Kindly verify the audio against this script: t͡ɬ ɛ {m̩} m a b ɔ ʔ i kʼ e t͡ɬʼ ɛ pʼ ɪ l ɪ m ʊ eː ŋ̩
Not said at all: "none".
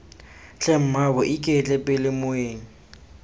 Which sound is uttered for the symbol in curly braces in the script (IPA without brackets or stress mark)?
m̩